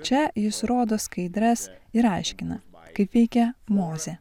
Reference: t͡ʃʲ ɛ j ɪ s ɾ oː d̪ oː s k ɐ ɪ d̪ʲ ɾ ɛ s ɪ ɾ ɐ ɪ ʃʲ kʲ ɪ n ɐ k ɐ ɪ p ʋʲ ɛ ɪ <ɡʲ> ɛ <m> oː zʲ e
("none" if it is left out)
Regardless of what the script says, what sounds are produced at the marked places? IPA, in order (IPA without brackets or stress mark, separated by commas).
kʲ, m